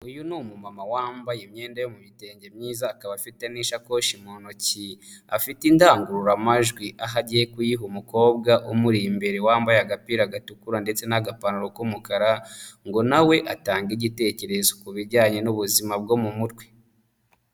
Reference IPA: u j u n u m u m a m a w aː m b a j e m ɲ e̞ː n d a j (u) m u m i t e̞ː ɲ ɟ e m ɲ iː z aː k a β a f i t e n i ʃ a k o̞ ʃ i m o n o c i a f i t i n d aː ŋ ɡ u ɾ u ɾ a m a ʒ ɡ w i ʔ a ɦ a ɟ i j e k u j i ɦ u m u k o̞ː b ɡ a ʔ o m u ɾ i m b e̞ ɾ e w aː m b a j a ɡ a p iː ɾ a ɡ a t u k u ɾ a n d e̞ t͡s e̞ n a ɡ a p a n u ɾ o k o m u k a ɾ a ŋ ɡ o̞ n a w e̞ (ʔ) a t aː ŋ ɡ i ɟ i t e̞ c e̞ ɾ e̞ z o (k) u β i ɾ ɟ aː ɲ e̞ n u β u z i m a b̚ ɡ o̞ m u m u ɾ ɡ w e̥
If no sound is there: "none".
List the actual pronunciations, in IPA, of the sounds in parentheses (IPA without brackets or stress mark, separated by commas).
o, ʔ, k